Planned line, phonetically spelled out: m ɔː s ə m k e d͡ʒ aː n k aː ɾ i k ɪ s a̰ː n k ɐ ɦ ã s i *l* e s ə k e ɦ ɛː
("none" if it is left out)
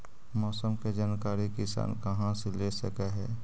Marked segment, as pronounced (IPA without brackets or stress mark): l